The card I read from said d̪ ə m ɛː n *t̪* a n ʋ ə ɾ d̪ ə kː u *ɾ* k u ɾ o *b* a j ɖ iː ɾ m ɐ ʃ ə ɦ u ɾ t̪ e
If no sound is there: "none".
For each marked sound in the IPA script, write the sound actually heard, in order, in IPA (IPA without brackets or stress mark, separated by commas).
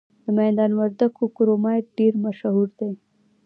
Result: d̪, none, m